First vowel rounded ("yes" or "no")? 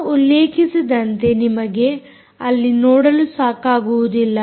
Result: yes